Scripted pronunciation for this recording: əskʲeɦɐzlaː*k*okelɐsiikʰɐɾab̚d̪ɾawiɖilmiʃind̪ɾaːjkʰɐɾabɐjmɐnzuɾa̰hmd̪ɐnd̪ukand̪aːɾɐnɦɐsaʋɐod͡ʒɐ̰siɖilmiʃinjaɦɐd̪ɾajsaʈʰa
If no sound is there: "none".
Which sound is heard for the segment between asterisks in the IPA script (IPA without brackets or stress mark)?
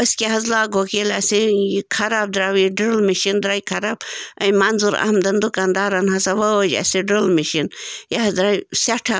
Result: ɡ